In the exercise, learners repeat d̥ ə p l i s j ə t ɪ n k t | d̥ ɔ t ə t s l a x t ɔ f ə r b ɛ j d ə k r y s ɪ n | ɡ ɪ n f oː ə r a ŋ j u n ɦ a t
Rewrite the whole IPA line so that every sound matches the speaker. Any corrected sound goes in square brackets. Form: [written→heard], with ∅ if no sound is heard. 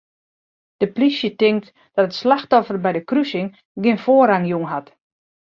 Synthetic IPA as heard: d̥ ə p l i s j ə t ɪ [n→ŋ] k t | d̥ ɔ t ə t s l a x t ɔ f ə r b ɛ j d ə k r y s ɪ [n→ŋ] | ɡ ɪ n f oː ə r a ŋ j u [n→ŋ] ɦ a t